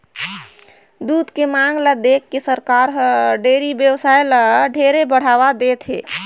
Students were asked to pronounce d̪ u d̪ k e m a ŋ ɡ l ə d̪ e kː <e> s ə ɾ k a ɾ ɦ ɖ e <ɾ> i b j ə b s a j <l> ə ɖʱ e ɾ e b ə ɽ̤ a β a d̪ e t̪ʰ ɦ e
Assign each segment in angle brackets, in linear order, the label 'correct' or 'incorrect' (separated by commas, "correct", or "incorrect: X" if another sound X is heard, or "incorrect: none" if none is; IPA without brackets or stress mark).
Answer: correct, correct, correct